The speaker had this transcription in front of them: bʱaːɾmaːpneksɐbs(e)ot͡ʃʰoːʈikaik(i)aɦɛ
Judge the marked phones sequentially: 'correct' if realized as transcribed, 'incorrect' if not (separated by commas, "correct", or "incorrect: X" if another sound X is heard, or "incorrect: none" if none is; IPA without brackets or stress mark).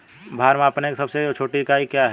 correct, incorrect: j